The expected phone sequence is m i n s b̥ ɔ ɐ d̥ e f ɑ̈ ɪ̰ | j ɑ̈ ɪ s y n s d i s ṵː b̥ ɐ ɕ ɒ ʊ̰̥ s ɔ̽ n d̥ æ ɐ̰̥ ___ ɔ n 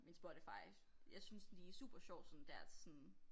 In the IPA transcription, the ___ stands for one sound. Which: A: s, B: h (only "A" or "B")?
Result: A